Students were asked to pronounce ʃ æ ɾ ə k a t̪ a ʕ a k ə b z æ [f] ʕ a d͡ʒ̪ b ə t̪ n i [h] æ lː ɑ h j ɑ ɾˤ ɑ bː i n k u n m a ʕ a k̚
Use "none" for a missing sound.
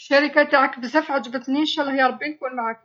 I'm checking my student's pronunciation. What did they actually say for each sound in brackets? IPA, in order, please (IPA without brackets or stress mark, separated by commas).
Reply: f, ʃ